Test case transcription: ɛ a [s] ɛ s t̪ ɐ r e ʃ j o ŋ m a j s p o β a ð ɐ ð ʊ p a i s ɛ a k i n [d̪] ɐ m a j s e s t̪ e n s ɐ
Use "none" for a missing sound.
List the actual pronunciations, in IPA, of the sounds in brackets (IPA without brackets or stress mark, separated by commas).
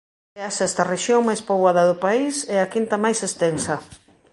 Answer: s, t̪